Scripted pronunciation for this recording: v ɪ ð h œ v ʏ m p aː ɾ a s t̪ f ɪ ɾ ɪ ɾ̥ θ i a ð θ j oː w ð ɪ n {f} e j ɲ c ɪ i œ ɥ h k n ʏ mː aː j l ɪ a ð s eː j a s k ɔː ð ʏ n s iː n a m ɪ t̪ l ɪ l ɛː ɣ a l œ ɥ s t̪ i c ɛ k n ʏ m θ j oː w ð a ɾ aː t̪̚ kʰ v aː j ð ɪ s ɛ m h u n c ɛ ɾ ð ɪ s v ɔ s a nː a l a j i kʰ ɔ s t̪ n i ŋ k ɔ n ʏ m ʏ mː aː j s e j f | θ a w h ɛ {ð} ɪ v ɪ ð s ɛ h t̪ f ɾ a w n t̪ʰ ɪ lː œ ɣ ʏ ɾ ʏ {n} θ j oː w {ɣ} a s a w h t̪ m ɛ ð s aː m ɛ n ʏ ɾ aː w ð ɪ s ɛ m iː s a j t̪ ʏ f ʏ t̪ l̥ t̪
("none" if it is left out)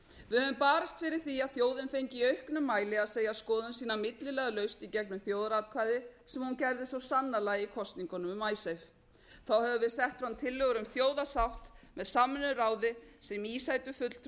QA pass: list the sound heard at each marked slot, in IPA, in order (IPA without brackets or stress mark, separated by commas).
f, v, m, ð